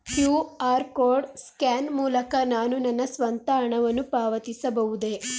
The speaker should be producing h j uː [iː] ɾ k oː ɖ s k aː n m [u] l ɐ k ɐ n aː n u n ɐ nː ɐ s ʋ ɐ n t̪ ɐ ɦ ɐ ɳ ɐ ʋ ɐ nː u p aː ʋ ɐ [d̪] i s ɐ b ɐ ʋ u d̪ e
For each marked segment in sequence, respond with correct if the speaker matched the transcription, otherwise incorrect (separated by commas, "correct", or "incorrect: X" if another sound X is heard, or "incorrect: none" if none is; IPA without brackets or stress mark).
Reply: incorrect: aː, incorrect: uː, incorrect: t̪